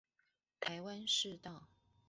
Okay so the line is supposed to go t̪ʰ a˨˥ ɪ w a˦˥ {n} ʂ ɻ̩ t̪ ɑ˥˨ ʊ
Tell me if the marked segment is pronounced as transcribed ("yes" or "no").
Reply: yes